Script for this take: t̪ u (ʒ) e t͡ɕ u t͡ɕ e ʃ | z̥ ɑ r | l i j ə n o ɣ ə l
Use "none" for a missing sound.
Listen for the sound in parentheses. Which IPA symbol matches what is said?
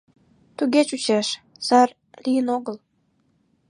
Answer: ɣ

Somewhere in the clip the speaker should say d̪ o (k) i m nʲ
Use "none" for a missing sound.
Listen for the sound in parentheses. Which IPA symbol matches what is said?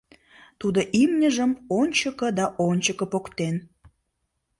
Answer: ʔ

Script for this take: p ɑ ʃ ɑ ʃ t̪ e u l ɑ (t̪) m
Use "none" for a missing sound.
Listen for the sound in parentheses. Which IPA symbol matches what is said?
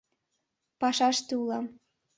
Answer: none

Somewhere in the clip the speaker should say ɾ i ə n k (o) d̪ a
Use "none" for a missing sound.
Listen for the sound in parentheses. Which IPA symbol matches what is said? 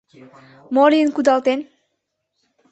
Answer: u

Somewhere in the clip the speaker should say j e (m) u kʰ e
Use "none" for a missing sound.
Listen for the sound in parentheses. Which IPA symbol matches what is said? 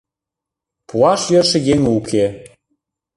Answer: ŋ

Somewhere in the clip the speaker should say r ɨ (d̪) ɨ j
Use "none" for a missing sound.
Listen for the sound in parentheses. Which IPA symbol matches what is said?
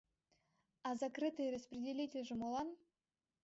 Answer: t̪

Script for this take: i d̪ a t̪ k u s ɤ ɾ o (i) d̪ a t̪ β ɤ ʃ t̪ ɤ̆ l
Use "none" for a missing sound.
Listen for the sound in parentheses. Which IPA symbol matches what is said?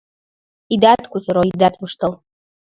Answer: i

